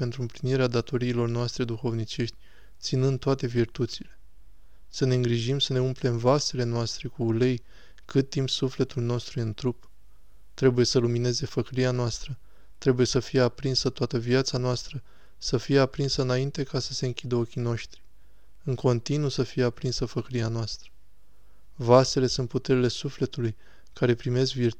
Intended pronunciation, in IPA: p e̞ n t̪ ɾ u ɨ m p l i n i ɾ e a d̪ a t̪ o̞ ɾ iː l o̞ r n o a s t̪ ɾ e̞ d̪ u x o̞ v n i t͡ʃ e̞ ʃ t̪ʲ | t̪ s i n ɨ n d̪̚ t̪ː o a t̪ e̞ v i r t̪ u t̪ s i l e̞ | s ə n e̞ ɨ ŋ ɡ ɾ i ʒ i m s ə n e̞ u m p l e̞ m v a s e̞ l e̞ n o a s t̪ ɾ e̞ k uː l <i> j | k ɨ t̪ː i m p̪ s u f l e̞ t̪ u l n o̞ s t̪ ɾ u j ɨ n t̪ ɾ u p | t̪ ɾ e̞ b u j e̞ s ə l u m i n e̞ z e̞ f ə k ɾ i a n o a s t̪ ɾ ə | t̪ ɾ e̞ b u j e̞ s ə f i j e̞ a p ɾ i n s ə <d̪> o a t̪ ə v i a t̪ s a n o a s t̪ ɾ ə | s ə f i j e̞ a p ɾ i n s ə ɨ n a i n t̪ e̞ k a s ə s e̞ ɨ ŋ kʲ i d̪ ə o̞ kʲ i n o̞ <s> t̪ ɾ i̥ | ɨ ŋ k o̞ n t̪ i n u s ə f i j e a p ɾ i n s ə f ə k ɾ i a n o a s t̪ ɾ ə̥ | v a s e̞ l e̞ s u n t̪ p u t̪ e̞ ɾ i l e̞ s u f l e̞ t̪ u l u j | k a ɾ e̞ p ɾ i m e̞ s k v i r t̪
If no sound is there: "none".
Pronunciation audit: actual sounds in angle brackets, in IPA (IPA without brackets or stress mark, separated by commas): e, t̪, ʃ